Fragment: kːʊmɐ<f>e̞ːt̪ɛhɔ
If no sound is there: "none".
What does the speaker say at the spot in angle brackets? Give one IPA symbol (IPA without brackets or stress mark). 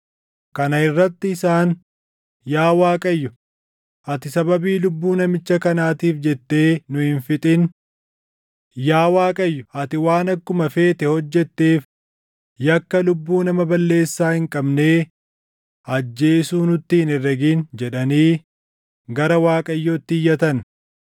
f